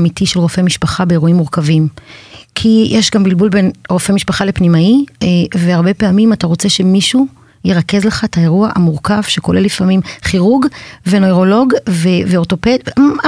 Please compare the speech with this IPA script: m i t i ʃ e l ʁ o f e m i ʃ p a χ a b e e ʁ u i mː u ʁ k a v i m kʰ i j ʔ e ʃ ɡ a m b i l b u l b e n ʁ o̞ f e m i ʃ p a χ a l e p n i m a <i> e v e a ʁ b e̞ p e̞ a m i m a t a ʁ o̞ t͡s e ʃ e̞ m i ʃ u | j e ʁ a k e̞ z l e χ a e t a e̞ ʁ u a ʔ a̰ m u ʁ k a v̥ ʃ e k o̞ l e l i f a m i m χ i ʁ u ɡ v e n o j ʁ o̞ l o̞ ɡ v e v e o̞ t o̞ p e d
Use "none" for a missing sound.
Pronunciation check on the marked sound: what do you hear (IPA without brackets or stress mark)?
i